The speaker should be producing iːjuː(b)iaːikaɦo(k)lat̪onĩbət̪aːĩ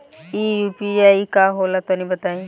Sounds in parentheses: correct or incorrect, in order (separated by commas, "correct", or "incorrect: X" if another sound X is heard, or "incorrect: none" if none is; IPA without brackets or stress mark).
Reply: incorrect: p, incorrect: none